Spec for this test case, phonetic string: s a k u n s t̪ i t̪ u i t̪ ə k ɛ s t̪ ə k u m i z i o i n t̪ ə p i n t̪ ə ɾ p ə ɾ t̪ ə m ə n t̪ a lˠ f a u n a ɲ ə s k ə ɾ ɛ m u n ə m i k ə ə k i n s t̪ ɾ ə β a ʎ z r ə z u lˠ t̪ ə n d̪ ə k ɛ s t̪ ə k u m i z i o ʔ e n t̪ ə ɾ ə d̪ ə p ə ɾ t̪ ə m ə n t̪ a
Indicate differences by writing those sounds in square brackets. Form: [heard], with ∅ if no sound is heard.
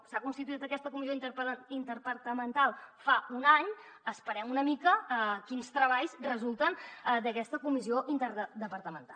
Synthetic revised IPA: s a k u n s t̪ i t̪ u i t̪ ə k ɛ s t̪ ə k u m i z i o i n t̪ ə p i n t̪ ə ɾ p ə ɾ t̪ ə m ə n t̪ a lˠ f a u n a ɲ ə s [p] ə ɾ ɛ m u n ə m i k ə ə k i n s t̪ ɾ ə β a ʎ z r ə z u lˠ t̪ ə n d̪ ə k ɛ s t̪ ə k u m i z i o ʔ [i] n t̪ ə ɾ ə d̪ ə p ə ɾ t̪ ə m ə n t̪ a